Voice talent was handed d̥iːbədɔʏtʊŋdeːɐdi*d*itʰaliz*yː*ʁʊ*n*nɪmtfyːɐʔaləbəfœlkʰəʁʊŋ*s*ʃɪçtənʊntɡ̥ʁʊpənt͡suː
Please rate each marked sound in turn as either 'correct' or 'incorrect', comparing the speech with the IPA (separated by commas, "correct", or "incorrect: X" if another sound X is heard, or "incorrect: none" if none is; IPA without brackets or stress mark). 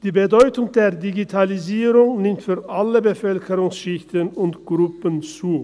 incorrect: ɡ, incorrect: iː, incorrect: ŋ, correct